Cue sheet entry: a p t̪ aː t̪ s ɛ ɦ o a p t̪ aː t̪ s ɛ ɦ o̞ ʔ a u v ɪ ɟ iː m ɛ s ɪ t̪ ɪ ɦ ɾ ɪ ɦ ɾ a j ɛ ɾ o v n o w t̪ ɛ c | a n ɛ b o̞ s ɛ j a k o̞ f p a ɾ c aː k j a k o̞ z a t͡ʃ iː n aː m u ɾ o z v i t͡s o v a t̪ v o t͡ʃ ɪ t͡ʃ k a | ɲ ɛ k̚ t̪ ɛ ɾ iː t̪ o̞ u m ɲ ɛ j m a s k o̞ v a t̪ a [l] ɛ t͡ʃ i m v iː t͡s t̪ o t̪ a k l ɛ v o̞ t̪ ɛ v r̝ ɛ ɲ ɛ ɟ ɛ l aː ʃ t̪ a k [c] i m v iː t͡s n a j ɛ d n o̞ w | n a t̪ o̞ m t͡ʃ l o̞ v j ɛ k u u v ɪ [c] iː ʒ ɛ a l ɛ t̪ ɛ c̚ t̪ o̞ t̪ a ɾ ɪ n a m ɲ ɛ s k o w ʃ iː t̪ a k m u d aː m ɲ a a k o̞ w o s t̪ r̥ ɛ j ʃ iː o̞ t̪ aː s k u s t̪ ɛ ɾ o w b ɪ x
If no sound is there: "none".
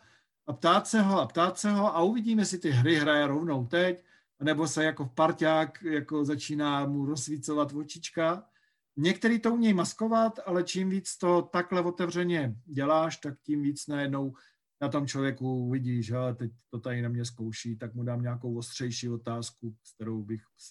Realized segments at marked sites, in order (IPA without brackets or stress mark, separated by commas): l, c, ɟ